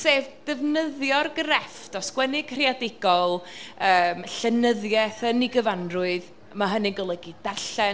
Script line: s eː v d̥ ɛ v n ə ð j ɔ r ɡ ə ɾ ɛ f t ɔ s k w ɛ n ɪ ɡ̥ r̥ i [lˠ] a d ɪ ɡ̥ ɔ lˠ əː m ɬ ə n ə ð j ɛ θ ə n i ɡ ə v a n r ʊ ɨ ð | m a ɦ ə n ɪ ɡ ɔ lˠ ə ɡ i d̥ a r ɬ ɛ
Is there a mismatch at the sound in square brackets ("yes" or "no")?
yes